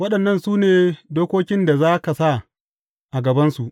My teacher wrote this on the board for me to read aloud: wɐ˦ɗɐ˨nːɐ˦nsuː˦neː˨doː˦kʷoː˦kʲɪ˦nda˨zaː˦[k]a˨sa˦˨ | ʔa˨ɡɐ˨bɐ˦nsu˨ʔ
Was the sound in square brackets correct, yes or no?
yes